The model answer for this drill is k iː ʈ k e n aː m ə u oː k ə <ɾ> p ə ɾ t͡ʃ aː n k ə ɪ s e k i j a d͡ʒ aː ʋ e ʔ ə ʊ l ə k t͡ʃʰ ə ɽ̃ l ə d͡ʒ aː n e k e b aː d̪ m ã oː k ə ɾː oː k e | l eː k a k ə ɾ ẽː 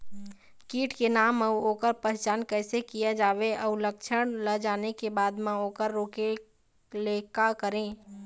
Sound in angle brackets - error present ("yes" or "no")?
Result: no